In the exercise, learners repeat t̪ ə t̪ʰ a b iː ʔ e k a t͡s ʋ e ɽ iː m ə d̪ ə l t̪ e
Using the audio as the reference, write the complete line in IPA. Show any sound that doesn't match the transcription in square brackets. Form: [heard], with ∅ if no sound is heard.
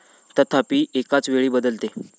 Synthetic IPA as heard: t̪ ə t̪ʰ a [p] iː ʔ e k a t͡s ʋ e [ɭ] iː [b] ə d̪ ə l t̪ e